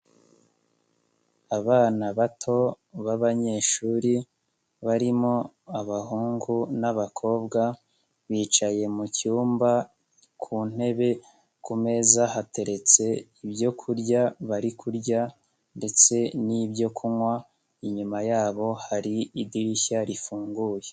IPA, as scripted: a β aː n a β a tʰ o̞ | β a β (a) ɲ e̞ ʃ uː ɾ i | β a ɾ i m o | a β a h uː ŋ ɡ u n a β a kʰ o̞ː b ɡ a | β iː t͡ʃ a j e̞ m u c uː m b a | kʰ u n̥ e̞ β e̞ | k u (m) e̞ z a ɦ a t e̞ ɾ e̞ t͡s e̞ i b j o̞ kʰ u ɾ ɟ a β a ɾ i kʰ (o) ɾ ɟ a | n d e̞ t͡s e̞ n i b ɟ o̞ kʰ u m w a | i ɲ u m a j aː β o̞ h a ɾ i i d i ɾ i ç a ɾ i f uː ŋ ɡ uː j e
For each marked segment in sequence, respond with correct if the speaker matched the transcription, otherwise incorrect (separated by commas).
correct, correct, incorrect